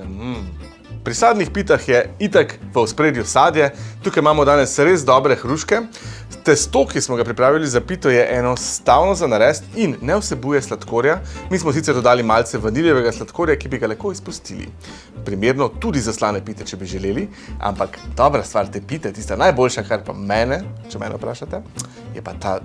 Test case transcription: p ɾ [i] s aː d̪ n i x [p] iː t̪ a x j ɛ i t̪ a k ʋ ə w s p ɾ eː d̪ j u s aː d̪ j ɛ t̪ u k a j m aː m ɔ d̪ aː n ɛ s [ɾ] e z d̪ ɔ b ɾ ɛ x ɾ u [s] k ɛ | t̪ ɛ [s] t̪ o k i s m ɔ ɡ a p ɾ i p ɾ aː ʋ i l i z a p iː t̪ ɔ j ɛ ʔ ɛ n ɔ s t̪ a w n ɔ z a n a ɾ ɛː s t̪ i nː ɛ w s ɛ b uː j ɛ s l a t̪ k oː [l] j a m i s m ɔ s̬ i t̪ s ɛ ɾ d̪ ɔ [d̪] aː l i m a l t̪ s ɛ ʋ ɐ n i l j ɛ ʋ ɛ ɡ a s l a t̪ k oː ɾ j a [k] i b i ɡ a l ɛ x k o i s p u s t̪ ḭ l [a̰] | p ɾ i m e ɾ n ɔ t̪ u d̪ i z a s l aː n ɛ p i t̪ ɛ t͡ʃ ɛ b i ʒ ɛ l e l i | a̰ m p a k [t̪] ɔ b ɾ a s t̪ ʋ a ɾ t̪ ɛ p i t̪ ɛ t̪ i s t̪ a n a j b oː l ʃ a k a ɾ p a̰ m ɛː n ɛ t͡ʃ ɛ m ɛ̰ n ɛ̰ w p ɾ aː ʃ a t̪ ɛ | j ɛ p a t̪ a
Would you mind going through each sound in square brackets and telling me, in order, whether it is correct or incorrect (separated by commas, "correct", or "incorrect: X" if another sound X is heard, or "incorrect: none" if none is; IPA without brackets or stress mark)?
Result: correct, correct, correct, incorrect: ʃ, correct, incorrect: ɾ, correct, correct, incorrect: ḭ, incorrect: d̪